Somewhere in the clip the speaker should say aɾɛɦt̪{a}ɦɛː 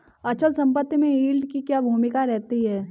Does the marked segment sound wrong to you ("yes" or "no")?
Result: yes